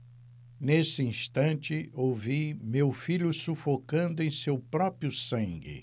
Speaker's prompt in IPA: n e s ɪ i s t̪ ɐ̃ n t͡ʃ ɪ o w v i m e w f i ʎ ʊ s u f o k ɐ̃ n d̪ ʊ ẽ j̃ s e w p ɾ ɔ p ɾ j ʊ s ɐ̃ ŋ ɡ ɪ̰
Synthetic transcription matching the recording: n e s ɪ ĩ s t̪ ɐ̃ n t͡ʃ ɪ o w v i m e w f i ʎ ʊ s u f o k ɐ̃ n d̪ ʊ ẽ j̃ s e w p ɾ ɔ p ɾ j ʊ s ɐ̃ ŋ ɡ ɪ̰